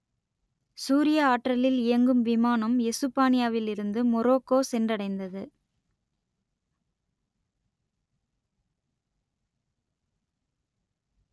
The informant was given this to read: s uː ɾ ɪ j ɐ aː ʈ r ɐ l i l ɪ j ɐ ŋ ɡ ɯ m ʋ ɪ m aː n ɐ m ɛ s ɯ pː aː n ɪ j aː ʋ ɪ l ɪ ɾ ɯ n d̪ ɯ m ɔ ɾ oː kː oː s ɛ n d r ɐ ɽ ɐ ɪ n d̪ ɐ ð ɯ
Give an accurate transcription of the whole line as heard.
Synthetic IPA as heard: s uː ɾ ɪ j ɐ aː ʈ r ɐ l ɪ l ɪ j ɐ ŋ ɡ ɯ m ʋ ɪ m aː n ɐ m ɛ s ɯ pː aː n ɪ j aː ʋ ɪ l ɪ ɾ ɯ n d̪ ɯ m ɔ ɾ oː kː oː s ɛ n d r ɐ ɽ ɐ ɪ n d̪ ɐ ð ɯ